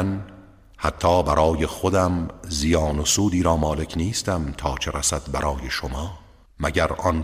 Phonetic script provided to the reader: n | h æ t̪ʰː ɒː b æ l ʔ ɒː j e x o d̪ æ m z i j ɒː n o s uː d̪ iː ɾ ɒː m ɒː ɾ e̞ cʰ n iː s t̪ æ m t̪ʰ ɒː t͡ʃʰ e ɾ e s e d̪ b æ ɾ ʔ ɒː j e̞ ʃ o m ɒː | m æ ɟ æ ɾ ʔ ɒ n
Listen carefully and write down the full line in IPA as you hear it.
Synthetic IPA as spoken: n | h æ t̪ʰː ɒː b æ ɾ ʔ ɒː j e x o d̪ æ m z i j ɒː n o s uː d̪ iː ɾ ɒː m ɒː l e̞ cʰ n iː s t̪ æ m t̪ʰ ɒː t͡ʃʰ e ɾ æ s æ d̪ b æ ɾ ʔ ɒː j e̞ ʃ o m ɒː | m æ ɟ æ ɾ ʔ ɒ n